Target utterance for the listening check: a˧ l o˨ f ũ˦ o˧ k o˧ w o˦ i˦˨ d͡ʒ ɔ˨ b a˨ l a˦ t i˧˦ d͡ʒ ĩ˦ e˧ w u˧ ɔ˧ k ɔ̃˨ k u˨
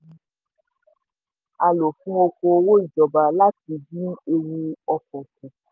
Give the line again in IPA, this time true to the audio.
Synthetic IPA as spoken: a˧ l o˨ f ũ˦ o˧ k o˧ w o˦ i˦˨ d͡ʒ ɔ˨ b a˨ l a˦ t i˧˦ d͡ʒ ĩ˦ e˧ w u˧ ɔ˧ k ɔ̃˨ k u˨

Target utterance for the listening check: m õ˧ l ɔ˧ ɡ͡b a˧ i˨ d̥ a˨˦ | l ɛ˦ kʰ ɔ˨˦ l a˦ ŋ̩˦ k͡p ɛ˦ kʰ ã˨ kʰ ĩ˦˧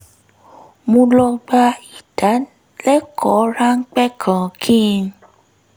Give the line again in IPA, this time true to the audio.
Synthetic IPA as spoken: m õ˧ l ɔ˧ ɡ͡b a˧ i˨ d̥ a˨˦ | l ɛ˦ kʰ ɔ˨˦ ɾ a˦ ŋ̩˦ k͡p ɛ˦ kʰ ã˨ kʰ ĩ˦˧

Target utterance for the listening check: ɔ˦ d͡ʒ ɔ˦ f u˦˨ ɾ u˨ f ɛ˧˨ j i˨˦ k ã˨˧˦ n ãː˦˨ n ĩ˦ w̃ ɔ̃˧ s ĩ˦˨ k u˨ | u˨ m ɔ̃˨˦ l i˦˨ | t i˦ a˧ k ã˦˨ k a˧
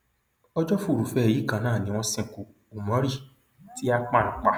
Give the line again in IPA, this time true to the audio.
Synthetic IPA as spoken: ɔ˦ d͡ʒ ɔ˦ f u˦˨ ɾ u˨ f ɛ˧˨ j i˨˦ k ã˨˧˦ n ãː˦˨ n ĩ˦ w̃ ɔ̃˧ s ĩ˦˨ k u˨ | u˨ m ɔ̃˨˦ ɾ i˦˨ | t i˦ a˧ k͡p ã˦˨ k͡p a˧

